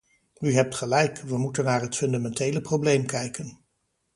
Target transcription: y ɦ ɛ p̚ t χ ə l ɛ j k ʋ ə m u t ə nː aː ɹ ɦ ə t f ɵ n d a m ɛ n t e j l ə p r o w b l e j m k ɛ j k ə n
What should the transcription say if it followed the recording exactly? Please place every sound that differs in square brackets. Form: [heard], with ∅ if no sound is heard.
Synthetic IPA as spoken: y ɦ ɛ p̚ t χ ə l ɛ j k ʋ ə m u t ə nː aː ɹ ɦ ə t f ɵ n d a m ɛ n t e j l ə p r o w b l e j m k ɛ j k ə n